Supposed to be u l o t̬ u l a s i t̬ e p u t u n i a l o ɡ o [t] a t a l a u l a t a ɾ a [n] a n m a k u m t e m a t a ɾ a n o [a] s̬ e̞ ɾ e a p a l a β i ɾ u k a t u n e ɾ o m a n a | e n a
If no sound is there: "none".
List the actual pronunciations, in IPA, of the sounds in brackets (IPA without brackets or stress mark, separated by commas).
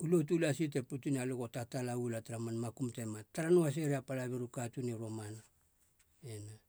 t, m, a